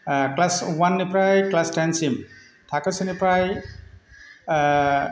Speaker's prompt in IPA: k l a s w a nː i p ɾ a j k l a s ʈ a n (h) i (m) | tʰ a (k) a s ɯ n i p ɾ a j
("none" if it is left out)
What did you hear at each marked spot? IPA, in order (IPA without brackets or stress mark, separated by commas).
s, m, k